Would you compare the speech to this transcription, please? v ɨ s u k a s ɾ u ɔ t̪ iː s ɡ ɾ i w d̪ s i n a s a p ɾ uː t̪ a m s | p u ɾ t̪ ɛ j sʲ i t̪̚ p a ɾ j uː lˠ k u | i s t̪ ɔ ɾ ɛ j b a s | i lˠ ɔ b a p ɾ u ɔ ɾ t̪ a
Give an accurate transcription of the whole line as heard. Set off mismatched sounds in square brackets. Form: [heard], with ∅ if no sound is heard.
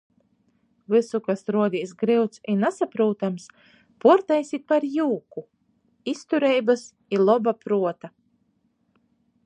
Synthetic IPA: v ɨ s u k a s ɾ u ɔ [d̪] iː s ɡ ɾ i w [t̪] s i n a s a p ɾ uː t̪ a m s | p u ɾ t̪ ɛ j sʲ i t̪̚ p a ɾ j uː [∅] k u | i s t̪ [u] ɾ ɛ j b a s | i lˠ ɔ b a p ɾ u ɔ [∅] t̪ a

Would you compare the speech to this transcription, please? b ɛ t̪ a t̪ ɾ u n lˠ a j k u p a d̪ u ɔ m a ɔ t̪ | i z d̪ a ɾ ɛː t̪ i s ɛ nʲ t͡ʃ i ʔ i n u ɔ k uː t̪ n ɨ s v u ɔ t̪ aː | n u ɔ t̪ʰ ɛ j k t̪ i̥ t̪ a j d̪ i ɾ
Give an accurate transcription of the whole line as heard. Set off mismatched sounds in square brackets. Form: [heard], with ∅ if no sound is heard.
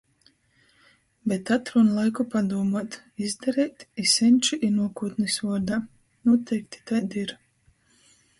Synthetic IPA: b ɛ t̪ a t̪ ɾ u n lˠ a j k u p a d̪ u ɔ m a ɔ t̪ | i z d̪ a ɾ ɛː t̪ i s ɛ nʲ t͡ʃ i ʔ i n u ɔ k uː t̪ n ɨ s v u ɔ [d̪] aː | n u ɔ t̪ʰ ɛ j k t̪ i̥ t̪ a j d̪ i ɾ

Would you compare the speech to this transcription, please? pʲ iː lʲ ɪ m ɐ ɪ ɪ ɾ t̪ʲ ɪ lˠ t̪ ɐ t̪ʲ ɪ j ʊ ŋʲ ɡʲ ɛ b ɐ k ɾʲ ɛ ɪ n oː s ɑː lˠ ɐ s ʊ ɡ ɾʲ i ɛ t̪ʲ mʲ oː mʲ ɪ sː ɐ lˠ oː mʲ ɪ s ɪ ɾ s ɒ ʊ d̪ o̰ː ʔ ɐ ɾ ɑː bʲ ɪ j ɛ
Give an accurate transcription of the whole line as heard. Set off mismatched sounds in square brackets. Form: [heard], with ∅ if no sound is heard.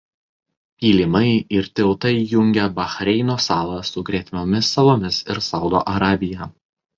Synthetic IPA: pʲ iː lʲ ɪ m ɐ ɪ ɪ ɾ t̪ʲ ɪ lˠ t̪ ɐ [∅] ɪ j ʊ ŋʲ ɡʲ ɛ b ɐ [x] ɾʲ ɛ ɪ n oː s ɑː lˠ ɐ s ʊ ɡ ɾʲ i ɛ t̪ʲ mʲ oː mʲ ɪ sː ɐ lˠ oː mʲ ɪ s ɪ ɾ s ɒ ʊ d̪ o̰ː ʔ ɐ ɾ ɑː bʲ ɪ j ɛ

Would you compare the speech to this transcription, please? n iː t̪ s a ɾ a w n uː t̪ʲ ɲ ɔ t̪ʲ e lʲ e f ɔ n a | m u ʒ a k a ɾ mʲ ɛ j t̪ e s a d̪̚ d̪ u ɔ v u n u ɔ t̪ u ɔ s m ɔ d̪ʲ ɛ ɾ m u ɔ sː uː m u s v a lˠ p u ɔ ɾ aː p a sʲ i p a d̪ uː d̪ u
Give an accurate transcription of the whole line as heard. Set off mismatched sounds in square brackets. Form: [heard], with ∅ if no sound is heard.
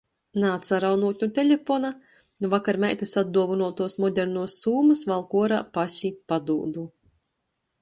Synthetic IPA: n [aː] t̪ s a ɾ a w n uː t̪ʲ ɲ [u] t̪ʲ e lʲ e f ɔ n a | [n] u [v] a k a ɾ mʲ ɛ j t̪ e s a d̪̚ d̪ u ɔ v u n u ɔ t̪ u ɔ s m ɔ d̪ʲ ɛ ɾ [n] u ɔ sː uː m u s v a lˠ [k] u ɔ ɾ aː p a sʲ i p a d̪ uː d̪ u

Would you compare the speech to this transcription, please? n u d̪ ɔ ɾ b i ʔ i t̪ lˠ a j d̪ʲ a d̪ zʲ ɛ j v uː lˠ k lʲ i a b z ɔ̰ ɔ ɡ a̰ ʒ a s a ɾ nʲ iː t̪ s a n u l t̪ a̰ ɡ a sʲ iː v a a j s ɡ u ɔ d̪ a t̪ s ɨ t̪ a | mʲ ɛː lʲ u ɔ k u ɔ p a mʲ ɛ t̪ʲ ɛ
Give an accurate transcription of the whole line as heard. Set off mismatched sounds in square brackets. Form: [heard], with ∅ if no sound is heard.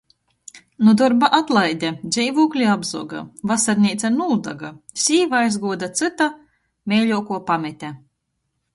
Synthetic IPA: n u d̪ ɔ ɾ b [a] ʔ [a] t̪ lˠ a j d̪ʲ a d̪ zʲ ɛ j v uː [∅] k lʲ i a b z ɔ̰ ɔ ɡ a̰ [v] a s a ɾ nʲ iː t̪ s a n u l [d̪] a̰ ɡ a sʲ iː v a a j [z] ɡ u ɔ d̪ a t̪ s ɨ t̪ a | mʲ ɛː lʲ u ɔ k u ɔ p a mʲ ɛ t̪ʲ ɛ

